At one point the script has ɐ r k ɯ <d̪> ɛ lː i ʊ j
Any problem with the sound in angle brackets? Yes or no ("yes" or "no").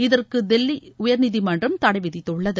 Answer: no